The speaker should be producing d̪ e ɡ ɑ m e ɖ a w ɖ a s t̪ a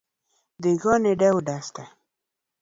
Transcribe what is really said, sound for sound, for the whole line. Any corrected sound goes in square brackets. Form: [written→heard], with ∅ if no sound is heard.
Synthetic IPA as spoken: d̪ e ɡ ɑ [m→n] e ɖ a w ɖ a s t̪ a